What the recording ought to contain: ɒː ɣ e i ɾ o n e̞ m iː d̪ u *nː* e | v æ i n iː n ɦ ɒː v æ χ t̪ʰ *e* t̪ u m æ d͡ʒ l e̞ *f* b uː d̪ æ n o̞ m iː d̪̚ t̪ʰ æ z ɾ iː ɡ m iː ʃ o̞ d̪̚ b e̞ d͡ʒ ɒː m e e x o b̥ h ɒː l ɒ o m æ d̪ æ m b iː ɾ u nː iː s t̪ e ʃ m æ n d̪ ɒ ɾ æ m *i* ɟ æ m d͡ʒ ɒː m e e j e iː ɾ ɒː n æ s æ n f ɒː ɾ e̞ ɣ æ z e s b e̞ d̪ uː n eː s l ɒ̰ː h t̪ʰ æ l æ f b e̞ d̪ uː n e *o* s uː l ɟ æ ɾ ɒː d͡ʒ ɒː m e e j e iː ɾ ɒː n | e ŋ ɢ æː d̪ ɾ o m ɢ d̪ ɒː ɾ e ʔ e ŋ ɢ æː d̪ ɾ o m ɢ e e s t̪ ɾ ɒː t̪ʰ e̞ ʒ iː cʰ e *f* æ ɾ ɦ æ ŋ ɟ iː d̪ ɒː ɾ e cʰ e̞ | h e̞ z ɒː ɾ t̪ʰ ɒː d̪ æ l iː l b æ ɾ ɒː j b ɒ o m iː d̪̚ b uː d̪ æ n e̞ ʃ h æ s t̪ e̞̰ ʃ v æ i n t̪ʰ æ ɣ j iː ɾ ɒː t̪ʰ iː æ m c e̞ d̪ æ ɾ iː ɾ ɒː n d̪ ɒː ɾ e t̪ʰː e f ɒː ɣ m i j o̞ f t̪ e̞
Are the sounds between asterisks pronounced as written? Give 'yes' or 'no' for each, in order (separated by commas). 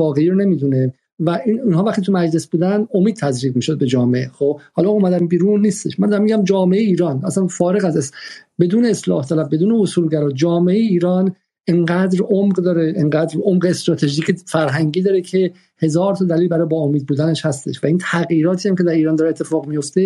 no, no, no, yes, yes, yes